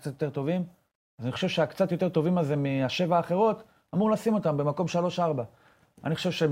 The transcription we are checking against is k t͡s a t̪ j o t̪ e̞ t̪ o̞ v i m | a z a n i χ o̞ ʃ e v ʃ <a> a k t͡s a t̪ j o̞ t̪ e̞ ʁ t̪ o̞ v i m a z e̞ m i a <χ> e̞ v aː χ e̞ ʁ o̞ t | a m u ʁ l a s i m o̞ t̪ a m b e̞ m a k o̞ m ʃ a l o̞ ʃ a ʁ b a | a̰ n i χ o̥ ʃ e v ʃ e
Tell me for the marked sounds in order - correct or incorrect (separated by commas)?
incorrect, incorrect